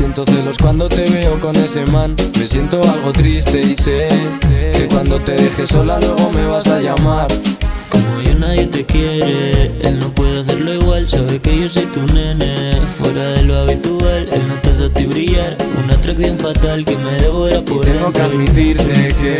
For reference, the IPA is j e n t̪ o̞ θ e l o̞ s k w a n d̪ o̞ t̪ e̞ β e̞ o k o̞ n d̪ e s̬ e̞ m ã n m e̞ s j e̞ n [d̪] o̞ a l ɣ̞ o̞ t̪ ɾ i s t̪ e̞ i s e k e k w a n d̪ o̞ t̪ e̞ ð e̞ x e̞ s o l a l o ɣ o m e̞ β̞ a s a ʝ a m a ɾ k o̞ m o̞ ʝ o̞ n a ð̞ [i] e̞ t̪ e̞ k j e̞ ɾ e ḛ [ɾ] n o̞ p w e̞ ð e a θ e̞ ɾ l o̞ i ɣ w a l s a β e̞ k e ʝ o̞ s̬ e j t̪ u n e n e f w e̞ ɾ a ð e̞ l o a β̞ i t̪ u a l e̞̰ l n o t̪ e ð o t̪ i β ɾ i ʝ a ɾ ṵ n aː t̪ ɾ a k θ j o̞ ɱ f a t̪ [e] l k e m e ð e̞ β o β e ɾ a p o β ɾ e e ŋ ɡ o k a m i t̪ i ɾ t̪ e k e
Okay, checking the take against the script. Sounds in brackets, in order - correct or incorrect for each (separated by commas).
incorrect, incorrect, incorrect, incorrect